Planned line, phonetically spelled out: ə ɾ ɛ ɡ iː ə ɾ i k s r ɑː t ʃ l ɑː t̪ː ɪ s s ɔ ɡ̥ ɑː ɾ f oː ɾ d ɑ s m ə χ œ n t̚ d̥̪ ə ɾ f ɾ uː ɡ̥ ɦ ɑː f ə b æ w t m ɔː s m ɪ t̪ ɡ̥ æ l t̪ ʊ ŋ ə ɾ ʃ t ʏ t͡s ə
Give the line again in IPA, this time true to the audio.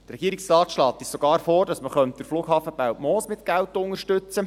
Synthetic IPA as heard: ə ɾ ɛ ɡ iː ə ɾ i k s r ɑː t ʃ l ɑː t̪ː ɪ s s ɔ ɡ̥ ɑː ɾ f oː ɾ d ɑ s m ə χ œ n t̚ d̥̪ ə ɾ f l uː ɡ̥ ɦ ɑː f ə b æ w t m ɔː s m ɪ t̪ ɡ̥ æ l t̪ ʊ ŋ ə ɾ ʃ t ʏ t͡s ə